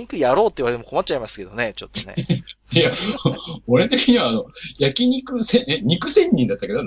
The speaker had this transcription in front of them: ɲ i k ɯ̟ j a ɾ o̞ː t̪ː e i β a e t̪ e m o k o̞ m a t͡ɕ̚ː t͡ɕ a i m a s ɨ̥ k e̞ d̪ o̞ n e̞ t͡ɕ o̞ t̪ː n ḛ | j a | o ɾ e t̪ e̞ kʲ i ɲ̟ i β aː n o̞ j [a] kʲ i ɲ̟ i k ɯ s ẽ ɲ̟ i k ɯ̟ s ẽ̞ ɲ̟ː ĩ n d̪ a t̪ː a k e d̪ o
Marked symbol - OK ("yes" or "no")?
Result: yes